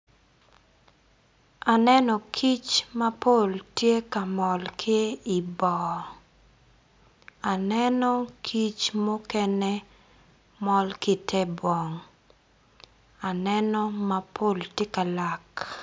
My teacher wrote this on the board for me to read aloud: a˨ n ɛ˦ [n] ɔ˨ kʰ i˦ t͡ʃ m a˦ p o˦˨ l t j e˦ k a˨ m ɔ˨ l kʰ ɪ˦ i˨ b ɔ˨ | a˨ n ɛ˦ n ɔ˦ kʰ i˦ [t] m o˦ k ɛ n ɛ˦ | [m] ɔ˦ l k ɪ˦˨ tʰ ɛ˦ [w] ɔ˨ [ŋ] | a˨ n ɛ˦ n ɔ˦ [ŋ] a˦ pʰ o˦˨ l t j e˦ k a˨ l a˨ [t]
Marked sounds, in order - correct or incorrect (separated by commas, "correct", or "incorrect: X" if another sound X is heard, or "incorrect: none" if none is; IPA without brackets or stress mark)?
correct, incorrect: t͡ʃ, correct, incorrect: b, correct, incorrect: m, incorrect: k